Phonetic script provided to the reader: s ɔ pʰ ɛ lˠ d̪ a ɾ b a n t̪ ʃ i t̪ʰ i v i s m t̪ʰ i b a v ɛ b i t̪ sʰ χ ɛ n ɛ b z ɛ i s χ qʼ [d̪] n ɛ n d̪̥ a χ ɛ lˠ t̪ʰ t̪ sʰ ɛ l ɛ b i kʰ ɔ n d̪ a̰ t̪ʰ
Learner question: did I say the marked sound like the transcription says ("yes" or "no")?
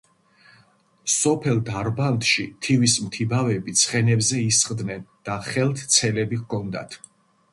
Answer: yes